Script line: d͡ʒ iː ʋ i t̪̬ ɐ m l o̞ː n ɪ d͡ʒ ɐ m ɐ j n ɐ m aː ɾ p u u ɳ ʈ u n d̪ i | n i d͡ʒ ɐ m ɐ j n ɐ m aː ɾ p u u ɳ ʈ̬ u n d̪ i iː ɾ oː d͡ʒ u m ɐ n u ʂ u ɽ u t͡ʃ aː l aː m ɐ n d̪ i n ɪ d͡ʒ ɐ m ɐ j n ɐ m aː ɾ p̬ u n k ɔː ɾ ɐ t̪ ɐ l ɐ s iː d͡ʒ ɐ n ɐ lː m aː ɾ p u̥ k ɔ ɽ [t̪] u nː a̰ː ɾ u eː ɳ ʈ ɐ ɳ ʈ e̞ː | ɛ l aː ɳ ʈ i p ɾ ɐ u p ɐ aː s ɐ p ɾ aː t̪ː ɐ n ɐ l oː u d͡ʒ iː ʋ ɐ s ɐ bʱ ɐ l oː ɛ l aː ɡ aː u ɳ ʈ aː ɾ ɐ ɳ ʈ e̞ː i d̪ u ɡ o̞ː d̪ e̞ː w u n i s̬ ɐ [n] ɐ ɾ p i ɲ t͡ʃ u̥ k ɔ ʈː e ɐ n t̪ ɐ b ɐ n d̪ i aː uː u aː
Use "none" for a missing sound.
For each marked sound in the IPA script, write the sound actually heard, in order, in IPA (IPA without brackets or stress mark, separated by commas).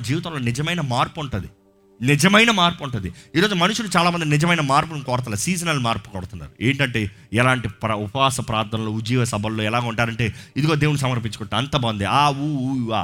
t̪, m